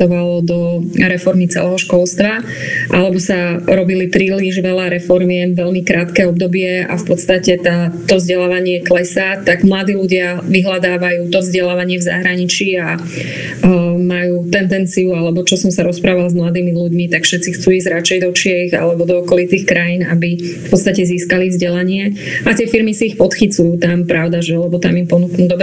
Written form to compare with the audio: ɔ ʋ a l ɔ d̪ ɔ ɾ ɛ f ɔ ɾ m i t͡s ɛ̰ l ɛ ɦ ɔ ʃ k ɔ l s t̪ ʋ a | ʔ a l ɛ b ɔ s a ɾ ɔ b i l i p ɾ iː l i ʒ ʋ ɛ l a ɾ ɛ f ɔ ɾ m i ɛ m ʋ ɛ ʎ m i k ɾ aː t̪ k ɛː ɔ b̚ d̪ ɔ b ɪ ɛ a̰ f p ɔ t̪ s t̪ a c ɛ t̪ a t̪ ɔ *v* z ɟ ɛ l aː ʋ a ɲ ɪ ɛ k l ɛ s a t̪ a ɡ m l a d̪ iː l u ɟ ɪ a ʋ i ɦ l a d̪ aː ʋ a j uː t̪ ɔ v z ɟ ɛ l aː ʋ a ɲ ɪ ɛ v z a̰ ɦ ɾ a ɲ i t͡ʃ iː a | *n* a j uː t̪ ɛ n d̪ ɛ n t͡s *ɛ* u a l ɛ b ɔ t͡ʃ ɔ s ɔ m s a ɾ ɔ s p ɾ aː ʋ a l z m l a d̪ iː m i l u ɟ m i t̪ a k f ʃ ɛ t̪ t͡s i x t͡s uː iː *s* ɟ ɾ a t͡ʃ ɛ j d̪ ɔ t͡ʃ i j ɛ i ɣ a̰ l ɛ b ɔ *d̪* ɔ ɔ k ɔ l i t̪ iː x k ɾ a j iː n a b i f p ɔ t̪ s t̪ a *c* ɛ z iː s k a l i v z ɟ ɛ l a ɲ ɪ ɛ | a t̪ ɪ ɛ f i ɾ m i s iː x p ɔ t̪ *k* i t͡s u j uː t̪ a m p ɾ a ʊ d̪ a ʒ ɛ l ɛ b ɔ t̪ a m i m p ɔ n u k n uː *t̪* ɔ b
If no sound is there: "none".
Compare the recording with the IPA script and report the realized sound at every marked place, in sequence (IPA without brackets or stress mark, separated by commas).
v, m, i, z, d̪, c, x, d̪